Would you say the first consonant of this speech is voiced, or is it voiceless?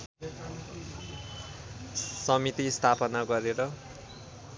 voiceless